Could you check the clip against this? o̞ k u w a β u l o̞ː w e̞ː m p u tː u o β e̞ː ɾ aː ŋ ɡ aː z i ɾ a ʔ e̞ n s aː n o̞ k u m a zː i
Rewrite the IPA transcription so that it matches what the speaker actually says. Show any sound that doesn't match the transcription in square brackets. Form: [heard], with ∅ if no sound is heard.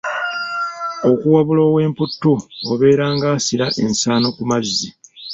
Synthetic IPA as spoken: o̞ k u w a β u l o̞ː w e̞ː m p u tː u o β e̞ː ɾ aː ŋ ɡ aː [s] i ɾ a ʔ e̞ n s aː n o̞ k u m a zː i